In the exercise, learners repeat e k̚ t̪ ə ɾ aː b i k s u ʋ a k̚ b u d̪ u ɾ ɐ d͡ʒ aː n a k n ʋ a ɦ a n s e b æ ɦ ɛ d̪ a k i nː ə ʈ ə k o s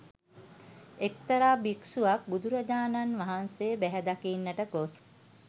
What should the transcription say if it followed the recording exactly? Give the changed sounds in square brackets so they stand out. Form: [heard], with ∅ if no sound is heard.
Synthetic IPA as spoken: e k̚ t̪ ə ɾ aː b i k s u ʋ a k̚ b u d̪ u ɾ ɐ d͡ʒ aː n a [∅] n ʋ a ɦ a n s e b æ ɦ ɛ d̪ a k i nː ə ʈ ə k o s